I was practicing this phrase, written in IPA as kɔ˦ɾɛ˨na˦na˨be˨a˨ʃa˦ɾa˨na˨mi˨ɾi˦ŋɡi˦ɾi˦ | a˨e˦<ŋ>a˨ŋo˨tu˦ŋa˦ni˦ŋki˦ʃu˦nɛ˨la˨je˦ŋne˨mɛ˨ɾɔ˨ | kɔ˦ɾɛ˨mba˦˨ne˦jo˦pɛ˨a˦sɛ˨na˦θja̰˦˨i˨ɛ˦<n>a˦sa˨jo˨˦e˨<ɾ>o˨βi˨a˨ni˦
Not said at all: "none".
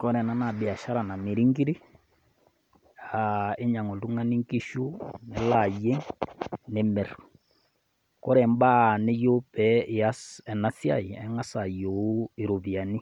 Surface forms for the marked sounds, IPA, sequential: ɲ, ŋ, ɾ

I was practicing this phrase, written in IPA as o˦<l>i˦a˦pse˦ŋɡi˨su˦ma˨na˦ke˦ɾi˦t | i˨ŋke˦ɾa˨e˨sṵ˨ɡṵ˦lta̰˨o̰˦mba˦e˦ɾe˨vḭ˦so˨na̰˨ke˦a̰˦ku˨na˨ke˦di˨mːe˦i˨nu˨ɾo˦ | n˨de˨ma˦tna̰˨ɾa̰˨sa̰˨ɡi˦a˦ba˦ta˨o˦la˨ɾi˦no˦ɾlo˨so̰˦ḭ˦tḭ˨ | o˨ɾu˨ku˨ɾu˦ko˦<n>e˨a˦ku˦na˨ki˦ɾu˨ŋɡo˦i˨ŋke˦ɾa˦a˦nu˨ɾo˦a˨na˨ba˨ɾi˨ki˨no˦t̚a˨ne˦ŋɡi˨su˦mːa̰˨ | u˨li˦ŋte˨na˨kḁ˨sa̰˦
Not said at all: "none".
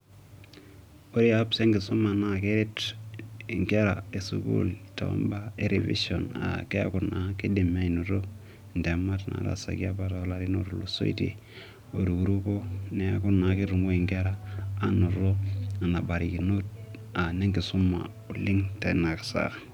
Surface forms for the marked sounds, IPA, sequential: ɾ, n

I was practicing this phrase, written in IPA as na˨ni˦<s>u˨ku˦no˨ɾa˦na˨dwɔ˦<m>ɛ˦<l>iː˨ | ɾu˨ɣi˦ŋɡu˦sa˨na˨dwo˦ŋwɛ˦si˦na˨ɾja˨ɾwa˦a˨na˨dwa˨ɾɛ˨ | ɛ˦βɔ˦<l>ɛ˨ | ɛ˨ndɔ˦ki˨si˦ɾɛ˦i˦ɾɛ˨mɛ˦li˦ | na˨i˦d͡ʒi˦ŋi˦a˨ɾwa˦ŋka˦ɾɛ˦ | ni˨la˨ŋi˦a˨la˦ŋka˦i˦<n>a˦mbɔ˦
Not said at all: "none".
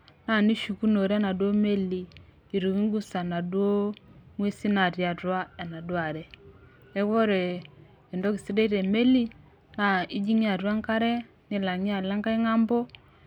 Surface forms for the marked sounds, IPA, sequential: ʃ, m, l, ɾ, ŋ

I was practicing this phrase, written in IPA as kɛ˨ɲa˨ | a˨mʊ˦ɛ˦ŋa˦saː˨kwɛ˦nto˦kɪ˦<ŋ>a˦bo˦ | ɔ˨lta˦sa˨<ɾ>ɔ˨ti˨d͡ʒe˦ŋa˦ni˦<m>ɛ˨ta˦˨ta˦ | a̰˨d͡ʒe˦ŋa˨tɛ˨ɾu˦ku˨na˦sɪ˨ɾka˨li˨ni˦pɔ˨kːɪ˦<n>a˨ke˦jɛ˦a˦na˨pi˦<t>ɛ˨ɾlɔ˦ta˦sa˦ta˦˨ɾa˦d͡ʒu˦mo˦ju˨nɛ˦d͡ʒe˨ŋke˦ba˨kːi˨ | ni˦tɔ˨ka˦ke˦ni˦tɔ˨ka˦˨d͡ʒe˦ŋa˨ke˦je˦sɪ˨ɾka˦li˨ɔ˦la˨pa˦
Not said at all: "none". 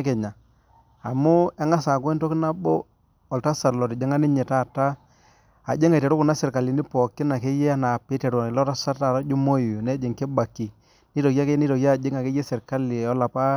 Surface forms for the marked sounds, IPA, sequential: n, l, ɲ, n, t

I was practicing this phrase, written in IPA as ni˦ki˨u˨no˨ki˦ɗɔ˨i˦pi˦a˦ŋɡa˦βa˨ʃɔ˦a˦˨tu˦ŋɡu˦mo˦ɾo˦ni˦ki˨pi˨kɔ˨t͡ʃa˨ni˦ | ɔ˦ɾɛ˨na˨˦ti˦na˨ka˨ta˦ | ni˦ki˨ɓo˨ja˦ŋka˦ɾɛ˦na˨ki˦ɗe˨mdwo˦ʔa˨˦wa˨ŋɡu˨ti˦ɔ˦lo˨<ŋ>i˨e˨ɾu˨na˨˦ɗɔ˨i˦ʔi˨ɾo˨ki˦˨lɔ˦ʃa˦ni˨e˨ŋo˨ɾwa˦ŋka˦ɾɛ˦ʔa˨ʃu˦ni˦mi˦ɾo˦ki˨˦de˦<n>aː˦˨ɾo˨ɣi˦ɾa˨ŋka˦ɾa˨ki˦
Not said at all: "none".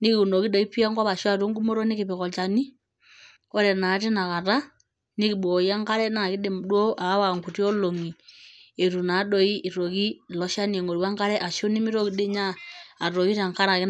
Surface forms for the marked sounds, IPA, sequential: ŋ, ɲ

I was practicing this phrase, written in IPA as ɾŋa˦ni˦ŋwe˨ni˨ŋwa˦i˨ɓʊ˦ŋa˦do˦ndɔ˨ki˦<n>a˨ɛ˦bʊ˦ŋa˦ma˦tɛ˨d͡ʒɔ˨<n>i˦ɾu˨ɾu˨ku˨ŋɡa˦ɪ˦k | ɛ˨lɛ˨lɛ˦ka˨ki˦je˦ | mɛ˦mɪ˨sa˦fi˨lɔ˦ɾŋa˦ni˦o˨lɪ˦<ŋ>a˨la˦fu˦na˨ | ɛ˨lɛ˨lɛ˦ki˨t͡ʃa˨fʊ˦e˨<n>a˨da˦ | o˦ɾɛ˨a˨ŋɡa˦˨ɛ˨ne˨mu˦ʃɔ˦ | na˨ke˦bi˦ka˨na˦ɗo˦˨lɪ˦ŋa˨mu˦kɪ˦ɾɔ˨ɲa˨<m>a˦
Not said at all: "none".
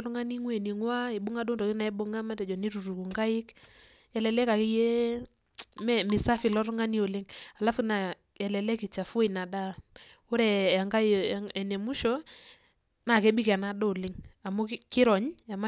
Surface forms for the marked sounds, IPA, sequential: n, n, ŋ, n, m

